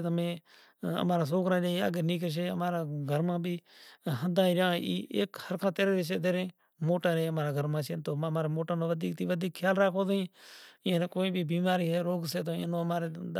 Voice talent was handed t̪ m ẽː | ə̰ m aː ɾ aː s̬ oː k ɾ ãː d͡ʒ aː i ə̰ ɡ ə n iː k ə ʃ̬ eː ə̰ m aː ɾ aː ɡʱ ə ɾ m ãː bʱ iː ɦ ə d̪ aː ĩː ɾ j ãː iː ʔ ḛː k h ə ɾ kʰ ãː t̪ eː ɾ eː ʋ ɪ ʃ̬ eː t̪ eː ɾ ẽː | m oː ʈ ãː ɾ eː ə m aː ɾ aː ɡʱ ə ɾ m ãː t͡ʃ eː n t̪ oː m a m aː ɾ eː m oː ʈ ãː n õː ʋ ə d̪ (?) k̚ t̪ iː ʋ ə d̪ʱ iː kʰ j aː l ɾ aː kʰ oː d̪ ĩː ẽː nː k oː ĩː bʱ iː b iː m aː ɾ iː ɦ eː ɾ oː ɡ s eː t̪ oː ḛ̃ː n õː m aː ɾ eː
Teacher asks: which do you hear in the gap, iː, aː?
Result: iː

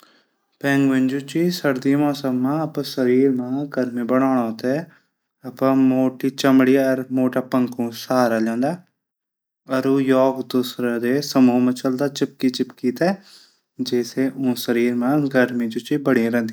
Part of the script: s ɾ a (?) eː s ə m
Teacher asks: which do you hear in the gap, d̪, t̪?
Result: d̪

